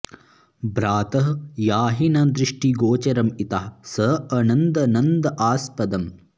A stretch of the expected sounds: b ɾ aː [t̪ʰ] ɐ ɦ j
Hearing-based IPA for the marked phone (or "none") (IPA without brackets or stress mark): t̪